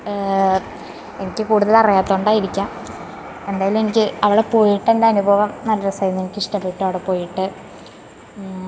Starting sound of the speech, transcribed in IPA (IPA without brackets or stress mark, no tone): e̞